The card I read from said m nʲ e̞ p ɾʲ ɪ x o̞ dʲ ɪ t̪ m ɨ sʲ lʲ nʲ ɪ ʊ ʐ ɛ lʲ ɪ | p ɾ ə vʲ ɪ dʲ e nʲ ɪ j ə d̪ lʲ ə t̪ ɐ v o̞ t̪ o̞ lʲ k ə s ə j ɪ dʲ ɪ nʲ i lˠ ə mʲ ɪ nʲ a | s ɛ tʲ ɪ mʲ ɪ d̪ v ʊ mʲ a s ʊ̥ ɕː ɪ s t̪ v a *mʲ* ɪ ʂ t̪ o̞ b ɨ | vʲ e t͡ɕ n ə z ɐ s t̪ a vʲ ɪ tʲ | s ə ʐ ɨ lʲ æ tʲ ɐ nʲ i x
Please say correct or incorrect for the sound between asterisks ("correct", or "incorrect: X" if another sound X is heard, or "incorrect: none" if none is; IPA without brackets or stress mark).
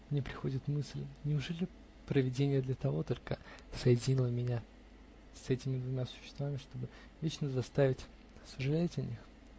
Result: correct